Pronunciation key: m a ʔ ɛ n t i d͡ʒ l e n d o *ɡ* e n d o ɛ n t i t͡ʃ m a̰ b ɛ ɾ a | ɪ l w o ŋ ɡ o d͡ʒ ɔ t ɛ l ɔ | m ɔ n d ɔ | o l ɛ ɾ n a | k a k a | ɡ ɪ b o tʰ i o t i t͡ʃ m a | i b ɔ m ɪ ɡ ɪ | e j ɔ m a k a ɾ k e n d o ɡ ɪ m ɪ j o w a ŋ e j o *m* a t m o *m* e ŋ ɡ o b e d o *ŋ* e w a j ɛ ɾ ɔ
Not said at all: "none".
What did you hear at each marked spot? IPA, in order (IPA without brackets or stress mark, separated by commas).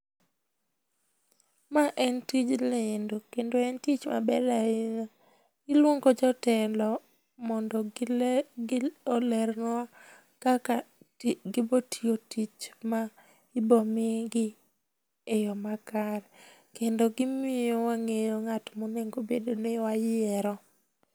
k, ŋ, n, n